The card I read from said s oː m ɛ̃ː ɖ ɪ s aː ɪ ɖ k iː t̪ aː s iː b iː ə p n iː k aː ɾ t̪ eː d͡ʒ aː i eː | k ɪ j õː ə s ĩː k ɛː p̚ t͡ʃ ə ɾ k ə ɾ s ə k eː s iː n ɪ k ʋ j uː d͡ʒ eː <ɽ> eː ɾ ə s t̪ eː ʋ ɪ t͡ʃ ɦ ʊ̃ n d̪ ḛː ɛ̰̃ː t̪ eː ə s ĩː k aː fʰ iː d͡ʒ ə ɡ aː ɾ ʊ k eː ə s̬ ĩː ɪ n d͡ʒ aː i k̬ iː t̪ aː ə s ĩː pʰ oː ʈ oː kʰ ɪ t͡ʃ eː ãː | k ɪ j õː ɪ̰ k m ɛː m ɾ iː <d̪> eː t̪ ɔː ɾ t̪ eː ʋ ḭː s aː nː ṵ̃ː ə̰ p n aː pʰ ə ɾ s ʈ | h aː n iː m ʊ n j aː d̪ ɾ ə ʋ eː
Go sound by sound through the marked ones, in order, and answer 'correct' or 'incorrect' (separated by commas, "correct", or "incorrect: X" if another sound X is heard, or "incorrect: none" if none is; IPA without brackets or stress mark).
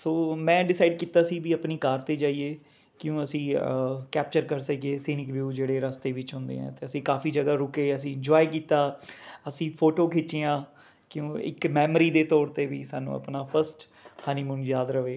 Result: correct, correct